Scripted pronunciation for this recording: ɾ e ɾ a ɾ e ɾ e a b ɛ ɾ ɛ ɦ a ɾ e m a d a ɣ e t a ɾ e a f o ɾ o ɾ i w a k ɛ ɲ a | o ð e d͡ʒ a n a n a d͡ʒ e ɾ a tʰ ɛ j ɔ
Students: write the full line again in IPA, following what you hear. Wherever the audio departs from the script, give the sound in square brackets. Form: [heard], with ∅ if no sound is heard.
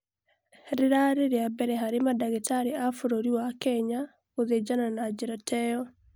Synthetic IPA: ɾ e ɾ a ɾ e ɾ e a b ɛ ɾ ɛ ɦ a ɾ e m a d a ɣ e t a ɾ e a f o ɾ o ɾ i w a k ɛ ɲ a | o ð e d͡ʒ a n a n a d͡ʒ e ɾ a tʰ ɛ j ɔ